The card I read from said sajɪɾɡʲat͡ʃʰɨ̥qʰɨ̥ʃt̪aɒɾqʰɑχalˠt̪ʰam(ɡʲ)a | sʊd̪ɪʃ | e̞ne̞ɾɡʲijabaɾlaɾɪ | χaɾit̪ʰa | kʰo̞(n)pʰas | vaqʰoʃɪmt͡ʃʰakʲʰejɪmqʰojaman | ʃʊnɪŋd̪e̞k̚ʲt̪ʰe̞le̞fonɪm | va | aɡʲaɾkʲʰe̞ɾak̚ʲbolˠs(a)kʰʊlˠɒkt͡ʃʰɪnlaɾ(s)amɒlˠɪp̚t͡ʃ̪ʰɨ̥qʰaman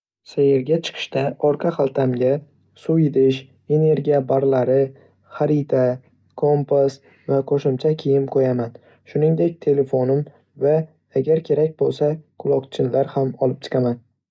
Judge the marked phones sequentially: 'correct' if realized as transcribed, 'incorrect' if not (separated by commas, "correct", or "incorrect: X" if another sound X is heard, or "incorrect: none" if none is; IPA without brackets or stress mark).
correct, incorrect: m, correct, incorrect: h